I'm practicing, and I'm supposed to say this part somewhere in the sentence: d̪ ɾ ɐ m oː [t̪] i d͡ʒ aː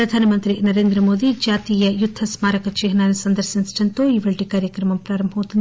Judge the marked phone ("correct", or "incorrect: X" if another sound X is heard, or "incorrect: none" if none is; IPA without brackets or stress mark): incorrect: d̪